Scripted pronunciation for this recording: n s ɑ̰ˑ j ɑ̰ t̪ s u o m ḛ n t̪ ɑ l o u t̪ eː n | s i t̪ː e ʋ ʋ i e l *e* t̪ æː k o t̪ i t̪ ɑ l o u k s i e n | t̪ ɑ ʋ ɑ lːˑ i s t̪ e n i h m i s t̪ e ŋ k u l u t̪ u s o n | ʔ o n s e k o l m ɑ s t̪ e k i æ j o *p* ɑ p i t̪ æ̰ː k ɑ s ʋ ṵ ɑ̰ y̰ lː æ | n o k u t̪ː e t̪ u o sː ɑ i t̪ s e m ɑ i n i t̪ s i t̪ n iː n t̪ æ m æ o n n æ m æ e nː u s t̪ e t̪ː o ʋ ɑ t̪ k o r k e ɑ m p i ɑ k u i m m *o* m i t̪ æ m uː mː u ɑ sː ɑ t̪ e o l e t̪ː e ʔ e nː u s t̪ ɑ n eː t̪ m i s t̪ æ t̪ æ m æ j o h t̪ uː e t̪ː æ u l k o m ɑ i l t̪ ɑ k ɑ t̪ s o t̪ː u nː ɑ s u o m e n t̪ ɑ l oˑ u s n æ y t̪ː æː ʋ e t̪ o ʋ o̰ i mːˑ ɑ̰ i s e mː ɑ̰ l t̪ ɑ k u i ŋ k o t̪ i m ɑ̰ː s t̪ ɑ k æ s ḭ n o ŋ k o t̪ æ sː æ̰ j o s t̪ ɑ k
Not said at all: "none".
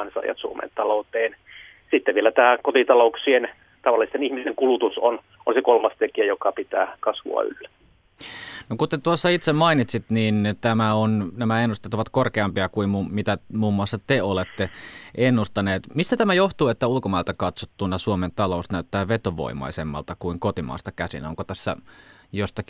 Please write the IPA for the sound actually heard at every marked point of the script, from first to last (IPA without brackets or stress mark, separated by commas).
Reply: æ, k, u